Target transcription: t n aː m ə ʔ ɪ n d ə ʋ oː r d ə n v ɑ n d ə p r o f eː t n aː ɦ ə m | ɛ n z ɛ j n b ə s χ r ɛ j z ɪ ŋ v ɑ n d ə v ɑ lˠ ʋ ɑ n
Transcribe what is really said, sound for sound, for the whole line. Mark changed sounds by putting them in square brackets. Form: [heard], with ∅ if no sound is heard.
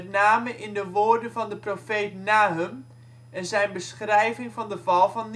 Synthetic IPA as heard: t n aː m ə ʔ ɪ n d ə ʋ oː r d ə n v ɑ n d ə p r o f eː t n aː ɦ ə m | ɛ n z ɛ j n b ə s χ r ɛ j [v] ɪ ŋ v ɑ n d ə v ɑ lˠ [v] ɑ n